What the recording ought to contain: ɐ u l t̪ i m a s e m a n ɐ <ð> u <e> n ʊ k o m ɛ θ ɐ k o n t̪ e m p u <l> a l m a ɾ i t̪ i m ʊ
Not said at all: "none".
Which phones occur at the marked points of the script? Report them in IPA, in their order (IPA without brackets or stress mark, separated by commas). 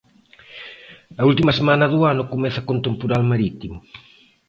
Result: ð, a, ɾ